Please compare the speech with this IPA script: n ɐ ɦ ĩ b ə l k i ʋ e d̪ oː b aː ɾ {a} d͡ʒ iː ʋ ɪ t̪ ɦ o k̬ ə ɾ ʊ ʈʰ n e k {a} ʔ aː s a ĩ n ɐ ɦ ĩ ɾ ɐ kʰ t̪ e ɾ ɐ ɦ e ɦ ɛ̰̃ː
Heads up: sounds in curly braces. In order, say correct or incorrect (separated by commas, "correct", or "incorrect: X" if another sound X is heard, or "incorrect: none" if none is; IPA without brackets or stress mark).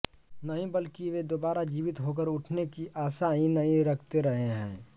correct, incorrect: i